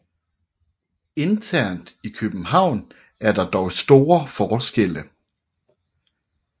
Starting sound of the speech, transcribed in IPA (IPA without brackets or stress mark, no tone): e̝